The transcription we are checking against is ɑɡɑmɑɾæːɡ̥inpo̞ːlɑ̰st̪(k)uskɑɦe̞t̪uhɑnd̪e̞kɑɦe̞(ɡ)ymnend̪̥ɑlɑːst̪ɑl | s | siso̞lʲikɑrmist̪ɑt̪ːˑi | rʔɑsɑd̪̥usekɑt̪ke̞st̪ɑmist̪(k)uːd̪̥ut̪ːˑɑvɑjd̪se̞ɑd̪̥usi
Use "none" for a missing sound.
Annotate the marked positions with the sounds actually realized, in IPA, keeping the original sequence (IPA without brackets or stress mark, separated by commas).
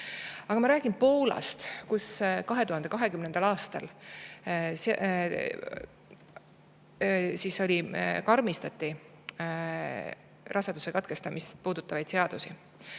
k, k, p